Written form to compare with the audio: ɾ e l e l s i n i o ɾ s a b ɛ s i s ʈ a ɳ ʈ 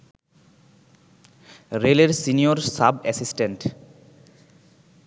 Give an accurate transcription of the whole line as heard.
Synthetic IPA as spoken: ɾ e l e ɾ s i n i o ɾ s a b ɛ s i s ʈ e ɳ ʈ